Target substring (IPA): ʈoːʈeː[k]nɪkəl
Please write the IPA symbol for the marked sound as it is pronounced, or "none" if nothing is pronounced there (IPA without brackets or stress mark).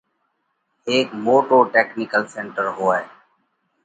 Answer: k